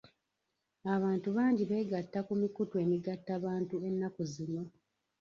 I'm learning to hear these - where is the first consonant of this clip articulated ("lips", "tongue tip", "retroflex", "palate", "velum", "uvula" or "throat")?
lips